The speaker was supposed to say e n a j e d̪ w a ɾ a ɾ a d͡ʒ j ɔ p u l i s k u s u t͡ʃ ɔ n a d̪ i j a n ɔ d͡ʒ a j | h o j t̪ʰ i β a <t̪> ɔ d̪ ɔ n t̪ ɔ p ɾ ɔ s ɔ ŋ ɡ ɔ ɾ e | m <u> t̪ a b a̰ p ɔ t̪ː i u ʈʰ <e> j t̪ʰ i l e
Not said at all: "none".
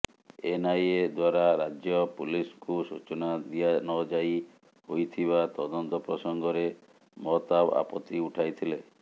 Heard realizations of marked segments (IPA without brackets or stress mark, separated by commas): t̪, ɔ, a